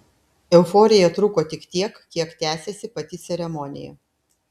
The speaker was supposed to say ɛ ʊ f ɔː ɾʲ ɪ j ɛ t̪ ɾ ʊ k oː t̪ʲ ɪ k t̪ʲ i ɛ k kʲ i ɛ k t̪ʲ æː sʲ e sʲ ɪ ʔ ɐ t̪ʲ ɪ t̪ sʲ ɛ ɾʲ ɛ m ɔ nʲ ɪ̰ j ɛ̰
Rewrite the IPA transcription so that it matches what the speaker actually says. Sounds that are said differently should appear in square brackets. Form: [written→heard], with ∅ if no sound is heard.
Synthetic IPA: ɛ ʊ f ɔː ɾʲ ɪ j ɛ t̪ ɾ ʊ k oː t̪ʲ ɪ k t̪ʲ i ɛ k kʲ i ɛ k t̪ʲ æː sʲ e sʲ ɪ [ʔ→p] ɐ t̪ʲ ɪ t̪ sʲ ɛ ɾʲ ɛ m ɔ nʲ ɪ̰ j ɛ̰

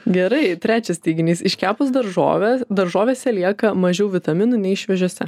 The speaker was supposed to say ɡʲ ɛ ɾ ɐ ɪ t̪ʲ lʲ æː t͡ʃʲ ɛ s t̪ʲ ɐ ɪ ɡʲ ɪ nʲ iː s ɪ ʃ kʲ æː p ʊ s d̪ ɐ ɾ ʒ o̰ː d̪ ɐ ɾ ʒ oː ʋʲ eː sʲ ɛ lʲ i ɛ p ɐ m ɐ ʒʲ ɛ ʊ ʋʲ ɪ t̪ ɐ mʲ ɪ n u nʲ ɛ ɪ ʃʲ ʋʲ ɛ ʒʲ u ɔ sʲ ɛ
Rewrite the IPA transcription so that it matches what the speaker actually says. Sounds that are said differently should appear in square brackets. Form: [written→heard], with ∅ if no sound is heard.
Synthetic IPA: ɡʲ ɛ ɾ ɐ ɪ t̪ʲ [lʲ→ɾʲ] æː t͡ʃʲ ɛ s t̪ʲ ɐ ɪ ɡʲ ɪ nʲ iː s ɪ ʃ kʲ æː p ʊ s d̪ ɐ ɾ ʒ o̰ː d̪ ɐ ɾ ʒ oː ʋʲ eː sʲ ɛ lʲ i ɛ [p→k] ɐ m ɐ ʒʲ ɛ ʊ ʋʲ ɪ t̪ ɐ mʲ ɪ n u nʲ ɛ ɪ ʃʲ ʋʲ ɛ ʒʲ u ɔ sʲ ɛ

